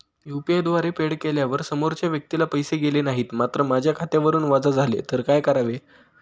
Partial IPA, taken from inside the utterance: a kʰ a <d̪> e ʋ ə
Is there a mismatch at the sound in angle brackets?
yes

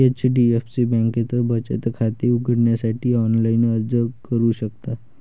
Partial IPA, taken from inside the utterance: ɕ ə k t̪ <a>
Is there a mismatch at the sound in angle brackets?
no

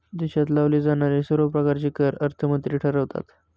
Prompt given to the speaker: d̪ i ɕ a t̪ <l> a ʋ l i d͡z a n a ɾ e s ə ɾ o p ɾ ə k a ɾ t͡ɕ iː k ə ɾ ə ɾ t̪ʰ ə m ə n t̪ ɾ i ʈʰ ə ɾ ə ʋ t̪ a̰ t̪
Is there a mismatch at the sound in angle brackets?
no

